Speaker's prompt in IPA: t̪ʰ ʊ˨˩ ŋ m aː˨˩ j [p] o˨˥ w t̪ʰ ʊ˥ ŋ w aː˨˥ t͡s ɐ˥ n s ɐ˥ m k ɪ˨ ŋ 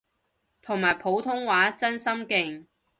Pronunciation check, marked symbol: incorrect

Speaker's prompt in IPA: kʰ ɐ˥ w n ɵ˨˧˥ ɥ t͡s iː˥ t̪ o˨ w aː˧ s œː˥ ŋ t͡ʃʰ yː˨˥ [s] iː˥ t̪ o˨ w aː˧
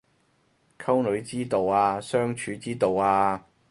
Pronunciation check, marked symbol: incorrect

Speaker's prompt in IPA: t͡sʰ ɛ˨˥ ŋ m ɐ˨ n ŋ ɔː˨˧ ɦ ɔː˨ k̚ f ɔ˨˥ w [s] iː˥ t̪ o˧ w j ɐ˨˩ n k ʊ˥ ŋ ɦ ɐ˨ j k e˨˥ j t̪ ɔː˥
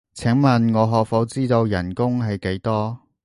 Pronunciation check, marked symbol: incorrect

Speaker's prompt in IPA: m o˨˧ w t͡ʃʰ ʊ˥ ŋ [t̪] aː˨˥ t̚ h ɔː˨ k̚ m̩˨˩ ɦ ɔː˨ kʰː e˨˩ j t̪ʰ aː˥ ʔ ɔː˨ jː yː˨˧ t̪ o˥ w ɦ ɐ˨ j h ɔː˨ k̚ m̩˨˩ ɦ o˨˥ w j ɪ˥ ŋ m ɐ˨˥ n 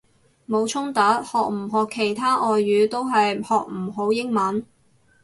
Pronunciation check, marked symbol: correct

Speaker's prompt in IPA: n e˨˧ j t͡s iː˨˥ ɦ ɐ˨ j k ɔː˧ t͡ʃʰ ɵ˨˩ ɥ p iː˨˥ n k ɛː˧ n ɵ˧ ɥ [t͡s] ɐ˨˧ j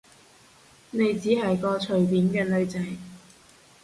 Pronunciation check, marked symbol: correct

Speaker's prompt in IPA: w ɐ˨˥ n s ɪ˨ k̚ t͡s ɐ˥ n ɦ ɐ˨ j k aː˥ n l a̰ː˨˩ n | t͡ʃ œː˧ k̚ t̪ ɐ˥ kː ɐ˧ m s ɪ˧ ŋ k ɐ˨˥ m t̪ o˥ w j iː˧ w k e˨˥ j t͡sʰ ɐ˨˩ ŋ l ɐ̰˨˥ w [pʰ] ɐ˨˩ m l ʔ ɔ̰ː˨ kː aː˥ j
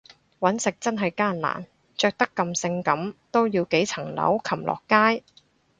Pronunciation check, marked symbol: incorrect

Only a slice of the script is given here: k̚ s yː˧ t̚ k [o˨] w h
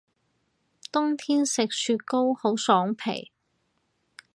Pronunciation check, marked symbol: incorrect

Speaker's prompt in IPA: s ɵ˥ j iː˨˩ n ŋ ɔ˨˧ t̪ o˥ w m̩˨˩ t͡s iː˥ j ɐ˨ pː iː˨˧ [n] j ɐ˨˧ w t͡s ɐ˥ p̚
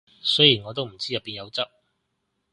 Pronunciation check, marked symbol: correct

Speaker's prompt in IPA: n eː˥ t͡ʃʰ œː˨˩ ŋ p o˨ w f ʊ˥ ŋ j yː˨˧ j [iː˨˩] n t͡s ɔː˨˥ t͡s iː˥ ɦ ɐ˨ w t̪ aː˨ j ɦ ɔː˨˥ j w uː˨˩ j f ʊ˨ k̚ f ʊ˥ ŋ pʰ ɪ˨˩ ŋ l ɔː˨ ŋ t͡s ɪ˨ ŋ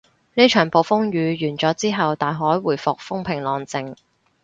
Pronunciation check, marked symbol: incorrect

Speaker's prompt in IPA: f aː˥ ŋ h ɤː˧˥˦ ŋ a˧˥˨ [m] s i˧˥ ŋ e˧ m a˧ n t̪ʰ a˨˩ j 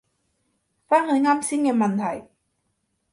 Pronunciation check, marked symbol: correct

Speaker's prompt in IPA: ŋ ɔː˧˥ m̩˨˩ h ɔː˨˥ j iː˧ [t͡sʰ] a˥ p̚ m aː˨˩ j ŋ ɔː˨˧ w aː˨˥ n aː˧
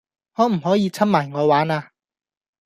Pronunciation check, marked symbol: correct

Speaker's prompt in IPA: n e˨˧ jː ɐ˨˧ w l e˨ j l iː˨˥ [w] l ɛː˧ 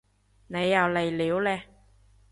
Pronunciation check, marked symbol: correct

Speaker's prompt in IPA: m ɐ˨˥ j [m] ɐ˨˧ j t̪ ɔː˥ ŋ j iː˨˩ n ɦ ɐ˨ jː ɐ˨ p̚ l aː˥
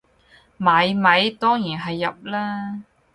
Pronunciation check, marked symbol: correct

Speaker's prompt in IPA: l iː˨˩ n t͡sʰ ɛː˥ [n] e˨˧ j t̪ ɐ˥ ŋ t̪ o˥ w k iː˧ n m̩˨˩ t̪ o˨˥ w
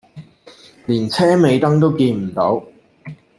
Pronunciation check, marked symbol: incorrect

